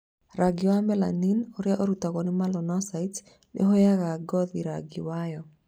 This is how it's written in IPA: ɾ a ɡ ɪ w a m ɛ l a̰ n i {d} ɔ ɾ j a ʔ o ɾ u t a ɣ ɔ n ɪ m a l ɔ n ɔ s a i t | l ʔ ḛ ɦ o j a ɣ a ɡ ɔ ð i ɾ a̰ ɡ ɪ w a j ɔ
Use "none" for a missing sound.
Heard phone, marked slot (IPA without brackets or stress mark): n